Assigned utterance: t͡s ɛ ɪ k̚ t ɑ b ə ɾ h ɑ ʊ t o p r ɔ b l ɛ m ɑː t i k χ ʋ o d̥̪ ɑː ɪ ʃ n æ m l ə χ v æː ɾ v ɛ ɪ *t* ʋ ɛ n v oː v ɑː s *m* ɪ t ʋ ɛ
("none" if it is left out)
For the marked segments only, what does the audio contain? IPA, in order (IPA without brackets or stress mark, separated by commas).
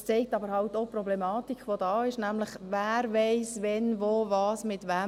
s, m